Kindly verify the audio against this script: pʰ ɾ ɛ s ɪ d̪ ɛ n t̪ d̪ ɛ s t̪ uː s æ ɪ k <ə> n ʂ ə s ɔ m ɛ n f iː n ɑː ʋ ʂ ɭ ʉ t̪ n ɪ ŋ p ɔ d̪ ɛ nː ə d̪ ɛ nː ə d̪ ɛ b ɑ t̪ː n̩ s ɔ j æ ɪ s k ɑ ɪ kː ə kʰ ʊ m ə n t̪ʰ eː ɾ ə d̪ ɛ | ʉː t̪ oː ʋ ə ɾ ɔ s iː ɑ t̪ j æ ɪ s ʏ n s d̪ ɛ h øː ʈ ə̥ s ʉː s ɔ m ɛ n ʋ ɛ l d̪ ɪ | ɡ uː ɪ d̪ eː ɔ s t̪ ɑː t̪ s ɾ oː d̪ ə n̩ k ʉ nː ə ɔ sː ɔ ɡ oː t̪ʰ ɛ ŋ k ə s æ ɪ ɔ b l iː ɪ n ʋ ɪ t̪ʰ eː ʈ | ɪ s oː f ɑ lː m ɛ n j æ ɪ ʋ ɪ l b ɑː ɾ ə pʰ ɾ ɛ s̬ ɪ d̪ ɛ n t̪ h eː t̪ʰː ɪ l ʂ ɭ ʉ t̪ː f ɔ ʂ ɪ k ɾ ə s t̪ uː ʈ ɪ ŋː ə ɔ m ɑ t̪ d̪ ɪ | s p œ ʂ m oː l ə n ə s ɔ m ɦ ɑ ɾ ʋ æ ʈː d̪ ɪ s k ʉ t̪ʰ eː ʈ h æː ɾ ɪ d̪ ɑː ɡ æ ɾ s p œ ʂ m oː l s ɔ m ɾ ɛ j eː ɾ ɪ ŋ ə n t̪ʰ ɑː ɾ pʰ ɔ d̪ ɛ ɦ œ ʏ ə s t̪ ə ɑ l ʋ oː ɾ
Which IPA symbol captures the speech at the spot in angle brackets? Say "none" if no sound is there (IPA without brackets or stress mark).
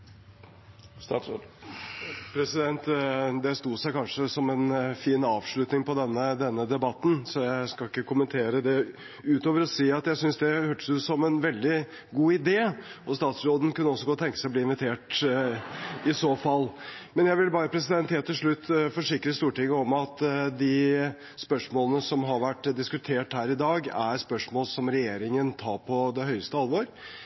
ɑ